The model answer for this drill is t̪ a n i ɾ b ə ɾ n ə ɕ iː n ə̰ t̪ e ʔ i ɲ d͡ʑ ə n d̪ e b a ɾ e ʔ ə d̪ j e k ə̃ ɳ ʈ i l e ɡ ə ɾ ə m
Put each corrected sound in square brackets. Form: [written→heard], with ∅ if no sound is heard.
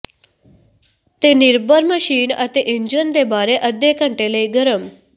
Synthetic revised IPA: t̪ [a→e] n i ɾ b ə ɾ [n→m] ə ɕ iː n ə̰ t̪ e ʔ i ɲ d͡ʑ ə n d̪ e b a ɾ e ʔ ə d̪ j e k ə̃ ɳ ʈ [i→e] l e ɡ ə ɾ ə m